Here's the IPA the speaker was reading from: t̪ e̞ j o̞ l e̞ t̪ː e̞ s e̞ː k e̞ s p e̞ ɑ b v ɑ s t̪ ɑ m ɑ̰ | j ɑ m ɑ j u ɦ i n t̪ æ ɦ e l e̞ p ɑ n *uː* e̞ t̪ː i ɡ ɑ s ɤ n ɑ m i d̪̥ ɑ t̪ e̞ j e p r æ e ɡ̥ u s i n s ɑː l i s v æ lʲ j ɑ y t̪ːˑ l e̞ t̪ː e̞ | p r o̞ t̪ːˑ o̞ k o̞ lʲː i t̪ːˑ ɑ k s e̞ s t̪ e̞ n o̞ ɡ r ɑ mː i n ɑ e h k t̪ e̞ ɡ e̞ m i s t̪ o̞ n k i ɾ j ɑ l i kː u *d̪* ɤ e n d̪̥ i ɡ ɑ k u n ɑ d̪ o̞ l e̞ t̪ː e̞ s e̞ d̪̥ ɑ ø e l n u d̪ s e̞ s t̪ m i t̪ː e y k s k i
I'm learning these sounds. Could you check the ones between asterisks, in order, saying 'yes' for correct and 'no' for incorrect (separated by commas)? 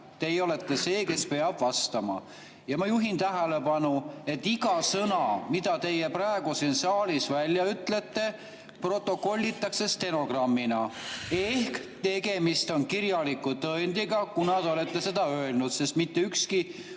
no, no